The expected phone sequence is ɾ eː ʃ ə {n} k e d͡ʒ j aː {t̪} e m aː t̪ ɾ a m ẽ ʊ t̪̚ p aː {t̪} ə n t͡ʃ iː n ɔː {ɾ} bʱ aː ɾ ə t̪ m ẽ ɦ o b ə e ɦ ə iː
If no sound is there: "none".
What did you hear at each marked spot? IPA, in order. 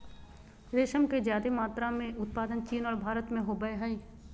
m, d̪, d̪, ɾ

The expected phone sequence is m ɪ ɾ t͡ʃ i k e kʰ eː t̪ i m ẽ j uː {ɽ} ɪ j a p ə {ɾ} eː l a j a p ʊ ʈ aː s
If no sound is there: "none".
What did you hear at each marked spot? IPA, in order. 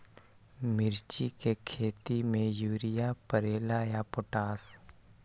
ɾ, ɾ

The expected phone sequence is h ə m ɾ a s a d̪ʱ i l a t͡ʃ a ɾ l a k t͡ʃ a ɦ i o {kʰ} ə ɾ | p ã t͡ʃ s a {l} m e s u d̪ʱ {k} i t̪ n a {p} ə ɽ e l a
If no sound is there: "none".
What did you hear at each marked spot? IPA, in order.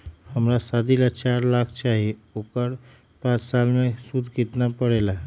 k, l, k, p

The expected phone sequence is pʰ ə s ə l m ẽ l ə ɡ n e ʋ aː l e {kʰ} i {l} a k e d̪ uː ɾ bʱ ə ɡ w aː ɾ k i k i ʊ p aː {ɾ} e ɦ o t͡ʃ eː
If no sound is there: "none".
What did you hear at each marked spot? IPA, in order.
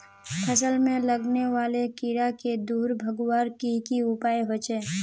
k, ɾ, none

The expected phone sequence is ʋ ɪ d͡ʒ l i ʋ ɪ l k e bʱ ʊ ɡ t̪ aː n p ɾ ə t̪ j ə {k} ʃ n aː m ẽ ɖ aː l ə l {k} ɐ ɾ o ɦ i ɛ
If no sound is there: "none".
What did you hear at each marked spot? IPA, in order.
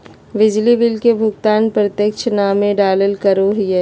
k, k

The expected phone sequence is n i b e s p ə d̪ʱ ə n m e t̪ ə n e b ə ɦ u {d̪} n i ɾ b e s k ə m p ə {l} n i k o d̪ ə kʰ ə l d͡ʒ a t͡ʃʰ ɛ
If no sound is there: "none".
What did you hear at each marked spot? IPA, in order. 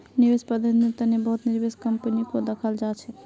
t̪, none

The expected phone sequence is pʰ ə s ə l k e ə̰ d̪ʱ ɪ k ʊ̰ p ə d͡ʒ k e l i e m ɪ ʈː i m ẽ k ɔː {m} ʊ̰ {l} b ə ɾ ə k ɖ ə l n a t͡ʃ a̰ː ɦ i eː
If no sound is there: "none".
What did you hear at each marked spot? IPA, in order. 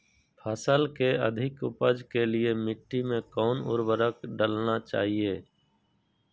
n, ɾ

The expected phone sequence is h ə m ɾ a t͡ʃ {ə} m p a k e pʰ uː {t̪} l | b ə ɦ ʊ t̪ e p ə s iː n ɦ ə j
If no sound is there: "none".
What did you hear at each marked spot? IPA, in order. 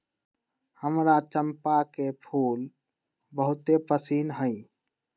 ə, none

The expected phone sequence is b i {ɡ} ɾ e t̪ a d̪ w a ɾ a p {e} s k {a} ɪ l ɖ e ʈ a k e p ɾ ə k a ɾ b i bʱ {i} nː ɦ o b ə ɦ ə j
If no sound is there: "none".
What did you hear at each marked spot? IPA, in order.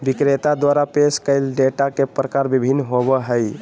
k, e, ə, i

